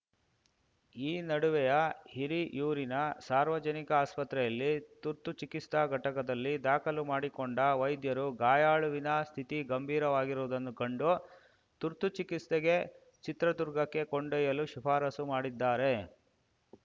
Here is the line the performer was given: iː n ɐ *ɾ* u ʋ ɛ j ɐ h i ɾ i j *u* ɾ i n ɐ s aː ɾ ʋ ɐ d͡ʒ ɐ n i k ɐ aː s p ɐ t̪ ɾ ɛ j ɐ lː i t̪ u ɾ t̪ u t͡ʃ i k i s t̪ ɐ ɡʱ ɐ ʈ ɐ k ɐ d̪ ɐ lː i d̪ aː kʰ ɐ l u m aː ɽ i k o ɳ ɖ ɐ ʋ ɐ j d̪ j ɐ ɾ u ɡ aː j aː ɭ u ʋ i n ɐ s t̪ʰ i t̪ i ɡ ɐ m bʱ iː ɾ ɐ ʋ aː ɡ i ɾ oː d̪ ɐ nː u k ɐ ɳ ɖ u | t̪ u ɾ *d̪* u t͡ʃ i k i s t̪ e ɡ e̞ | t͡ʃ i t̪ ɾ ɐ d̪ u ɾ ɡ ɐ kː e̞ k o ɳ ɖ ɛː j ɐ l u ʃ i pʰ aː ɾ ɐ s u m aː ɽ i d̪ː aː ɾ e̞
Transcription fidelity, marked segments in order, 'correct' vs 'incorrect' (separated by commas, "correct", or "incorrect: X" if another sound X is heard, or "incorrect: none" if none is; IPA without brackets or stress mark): incorrect: ɽ, incorrect: uː, incorrect: t̪